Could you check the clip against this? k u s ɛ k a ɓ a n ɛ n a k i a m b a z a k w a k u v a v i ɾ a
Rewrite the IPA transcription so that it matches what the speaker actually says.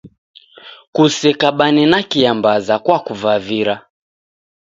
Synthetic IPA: k u s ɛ k a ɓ a n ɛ n a k i a m b a z a k w a k u v a v i ɾ a